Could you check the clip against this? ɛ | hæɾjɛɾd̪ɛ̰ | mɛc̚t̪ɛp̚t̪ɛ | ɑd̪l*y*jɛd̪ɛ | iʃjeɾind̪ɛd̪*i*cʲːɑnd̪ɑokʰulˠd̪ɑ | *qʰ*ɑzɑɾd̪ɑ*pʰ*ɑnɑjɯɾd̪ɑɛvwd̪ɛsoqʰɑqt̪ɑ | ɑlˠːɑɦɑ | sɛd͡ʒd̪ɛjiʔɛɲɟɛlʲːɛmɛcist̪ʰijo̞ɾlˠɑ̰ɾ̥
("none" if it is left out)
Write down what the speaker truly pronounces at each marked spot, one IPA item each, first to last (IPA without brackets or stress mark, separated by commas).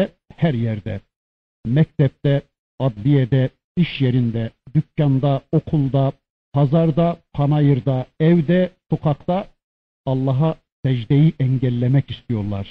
i, y, pʰ, pʰ